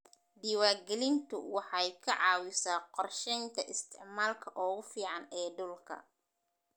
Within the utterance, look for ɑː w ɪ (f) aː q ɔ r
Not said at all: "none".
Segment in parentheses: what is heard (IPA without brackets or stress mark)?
s